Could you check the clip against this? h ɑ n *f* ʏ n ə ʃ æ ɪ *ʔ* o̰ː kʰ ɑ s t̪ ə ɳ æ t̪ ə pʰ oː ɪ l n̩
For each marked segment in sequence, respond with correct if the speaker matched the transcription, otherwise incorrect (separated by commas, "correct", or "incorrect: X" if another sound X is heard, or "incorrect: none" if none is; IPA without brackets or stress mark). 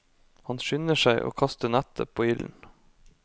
incorrect: ʃ, correct